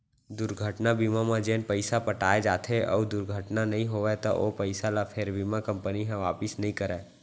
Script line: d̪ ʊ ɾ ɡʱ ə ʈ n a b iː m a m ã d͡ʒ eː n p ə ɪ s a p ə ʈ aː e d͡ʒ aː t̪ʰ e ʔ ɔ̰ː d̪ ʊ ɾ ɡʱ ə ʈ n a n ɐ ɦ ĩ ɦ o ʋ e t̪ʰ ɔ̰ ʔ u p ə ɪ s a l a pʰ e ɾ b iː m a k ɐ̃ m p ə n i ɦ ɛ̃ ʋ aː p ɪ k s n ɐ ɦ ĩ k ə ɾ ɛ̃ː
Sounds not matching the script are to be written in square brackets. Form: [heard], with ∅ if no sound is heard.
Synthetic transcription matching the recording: d̪ ʊ ɾ ɡʱ ə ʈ n a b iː m a m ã d͡ʒ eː n p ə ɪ s a p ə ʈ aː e d͡ʒ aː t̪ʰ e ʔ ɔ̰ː d̪ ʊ ɾ ɡʱ ə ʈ n a n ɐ ɦ ĩ ɦ o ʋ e [t̪] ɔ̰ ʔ [o] p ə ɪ s a l a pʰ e ɾ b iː m a k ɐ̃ m p ə n i ɦ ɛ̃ ʋ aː p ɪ [∅] s n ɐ ɦ ĩ k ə ɾ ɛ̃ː